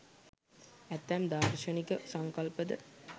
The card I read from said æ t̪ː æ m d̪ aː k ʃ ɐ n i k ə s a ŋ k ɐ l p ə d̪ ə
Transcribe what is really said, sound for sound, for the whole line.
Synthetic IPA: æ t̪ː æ m d̪ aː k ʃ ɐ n i k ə s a ŋ k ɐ l p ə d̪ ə